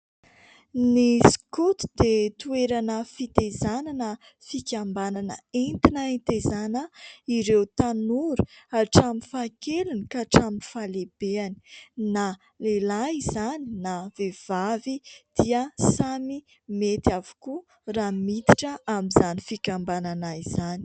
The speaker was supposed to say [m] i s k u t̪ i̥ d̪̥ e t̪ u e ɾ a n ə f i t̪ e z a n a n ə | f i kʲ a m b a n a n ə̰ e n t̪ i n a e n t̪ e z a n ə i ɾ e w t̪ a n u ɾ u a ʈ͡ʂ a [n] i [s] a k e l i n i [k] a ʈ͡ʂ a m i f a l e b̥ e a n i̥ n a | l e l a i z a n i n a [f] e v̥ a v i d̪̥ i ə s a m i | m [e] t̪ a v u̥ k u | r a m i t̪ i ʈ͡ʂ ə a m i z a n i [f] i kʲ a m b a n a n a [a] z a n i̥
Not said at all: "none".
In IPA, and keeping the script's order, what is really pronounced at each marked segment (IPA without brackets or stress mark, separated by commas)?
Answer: n, m, f, k, v, e, f, i